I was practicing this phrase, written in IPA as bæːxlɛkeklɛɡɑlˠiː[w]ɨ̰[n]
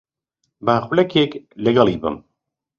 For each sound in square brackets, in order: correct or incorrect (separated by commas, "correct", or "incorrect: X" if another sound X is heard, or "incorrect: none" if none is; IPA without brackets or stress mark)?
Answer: incorrect: b, incorrect: m